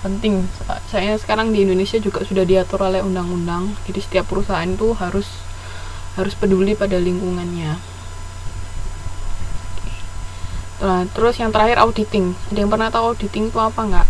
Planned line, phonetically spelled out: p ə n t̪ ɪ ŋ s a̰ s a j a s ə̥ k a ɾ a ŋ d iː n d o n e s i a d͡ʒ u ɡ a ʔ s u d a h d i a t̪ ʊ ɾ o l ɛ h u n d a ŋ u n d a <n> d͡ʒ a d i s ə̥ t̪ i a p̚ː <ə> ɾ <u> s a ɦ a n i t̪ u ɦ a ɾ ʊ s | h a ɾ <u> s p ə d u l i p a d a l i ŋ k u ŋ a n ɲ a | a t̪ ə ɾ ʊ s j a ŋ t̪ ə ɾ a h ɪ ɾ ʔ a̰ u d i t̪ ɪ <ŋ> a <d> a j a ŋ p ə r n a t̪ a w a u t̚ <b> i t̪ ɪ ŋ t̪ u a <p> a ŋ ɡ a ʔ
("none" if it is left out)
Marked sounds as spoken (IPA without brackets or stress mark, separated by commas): ŋ, ə, u, ʊ, ŋ, d, d, p